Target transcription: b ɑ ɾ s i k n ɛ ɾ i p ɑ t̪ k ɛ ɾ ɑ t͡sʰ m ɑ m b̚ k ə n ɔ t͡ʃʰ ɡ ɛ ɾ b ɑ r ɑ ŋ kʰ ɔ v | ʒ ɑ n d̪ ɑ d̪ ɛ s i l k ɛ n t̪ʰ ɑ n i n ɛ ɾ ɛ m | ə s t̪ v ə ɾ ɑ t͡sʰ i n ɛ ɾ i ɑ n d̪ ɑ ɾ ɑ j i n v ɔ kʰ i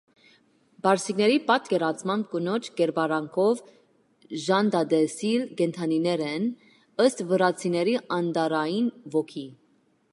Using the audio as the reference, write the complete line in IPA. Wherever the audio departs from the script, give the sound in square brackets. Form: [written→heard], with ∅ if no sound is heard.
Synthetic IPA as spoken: b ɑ ɾ s i k n ɛ ɾ i p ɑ t̪ k ɛ ɾ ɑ t͡sʰ m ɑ m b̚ k ə n ɔ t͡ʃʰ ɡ ɛ ɾ b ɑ [r→ɾ] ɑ ŋ kʰ ɔ v | ʒ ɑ n d̪ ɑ d̪ ɛ s i l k ɛ n t̪ʰ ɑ n i n ɛ ɾ ɛ [m→n] | ə s t̪ v ə ɾ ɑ t͡sʰ i n ɛ ɾ i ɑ n d̪ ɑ ɾ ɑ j i n v ɔ kʰ i